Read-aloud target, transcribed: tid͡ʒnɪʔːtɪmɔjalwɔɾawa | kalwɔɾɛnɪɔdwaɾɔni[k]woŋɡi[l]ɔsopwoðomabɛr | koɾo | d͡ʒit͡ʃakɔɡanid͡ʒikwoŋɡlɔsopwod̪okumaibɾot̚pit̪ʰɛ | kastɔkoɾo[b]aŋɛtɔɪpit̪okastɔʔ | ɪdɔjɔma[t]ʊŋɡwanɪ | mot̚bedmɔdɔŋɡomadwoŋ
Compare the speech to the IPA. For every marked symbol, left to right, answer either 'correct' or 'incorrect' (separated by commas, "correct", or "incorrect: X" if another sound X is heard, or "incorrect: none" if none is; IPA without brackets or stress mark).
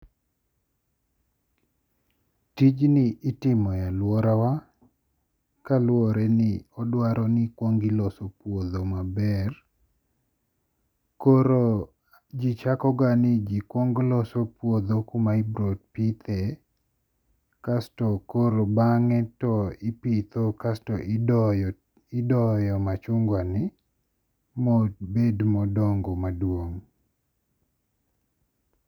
correct, correct, correct, incorrect: t͡ʃ